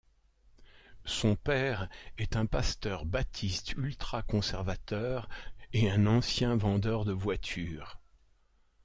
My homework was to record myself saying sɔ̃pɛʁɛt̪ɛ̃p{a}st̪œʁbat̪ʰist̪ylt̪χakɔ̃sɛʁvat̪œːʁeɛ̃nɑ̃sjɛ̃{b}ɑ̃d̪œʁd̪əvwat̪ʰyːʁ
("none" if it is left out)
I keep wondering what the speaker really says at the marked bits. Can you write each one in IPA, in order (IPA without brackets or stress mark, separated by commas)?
a, v